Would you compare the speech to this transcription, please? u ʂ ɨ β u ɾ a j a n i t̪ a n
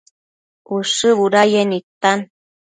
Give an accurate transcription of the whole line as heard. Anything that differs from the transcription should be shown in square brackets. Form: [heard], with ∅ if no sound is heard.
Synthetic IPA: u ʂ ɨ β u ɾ a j [e] n i t̪ a n